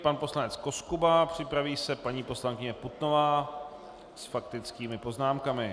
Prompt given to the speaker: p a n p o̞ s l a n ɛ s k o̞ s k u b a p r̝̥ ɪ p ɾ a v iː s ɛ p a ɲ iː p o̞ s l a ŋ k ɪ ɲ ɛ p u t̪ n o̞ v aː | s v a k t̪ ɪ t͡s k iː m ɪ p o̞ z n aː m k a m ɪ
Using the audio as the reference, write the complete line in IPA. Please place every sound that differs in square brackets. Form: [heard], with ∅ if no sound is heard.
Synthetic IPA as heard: p a n p o̞ s l a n ɛ [t͡s] k o̞ s k u b a p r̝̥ ɪ p ɾ a v iː s ɛ p a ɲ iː p o̞ s l a ŋ k ɪ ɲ ɛ p u t̪ n o̞ v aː | s [f] a k t̪ ɪ t͡s k iː m ɪ p o̞ z n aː m k a m ɪ